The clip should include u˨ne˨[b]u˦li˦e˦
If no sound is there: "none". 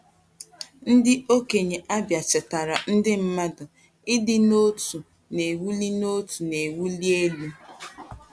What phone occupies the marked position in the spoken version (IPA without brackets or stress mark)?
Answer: w